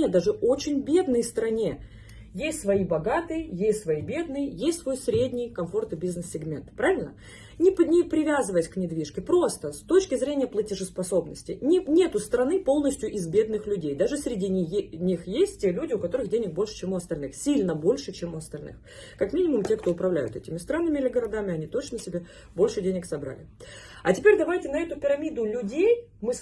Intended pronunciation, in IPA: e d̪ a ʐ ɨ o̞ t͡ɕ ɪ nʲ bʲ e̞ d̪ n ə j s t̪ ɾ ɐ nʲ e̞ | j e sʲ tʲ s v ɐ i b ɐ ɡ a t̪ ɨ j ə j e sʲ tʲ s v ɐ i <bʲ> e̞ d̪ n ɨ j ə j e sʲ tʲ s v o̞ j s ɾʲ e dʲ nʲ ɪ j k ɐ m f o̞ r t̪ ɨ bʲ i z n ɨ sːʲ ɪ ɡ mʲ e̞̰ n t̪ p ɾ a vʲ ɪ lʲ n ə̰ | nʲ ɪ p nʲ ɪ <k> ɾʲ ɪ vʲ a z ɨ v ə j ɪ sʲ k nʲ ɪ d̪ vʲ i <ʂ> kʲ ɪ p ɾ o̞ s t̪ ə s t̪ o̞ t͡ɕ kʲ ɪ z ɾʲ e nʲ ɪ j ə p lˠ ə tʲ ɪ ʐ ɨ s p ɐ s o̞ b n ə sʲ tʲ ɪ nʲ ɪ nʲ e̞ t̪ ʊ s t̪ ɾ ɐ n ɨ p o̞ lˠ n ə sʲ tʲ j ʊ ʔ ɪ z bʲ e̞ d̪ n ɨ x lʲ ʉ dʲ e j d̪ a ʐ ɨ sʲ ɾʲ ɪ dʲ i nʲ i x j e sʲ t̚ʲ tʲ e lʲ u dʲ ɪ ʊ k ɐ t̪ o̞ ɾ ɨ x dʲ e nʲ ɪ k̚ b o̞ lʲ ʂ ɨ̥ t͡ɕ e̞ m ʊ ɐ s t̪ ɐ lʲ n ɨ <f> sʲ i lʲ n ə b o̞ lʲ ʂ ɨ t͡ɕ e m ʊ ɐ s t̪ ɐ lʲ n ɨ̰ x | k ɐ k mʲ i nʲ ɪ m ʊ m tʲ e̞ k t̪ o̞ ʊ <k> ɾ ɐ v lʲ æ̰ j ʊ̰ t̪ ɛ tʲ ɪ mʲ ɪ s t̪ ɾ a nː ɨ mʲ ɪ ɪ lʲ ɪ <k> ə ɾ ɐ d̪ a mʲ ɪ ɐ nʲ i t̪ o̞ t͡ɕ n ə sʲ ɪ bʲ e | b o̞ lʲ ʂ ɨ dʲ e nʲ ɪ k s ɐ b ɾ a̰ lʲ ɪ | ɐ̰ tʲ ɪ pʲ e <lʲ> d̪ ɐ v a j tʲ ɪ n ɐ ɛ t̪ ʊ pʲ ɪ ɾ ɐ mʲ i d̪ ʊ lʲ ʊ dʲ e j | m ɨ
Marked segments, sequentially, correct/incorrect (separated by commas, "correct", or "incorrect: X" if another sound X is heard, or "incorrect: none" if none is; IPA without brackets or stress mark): correct, incorrect: p, correct, incorrect: x, incorrect: p, incorrect: ɡ, incorrect: ɾʲ